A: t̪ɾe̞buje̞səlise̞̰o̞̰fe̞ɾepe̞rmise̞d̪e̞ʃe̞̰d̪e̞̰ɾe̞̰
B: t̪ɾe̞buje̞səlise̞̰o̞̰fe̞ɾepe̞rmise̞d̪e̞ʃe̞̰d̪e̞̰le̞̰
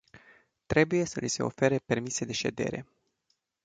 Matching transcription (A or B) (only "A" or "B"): A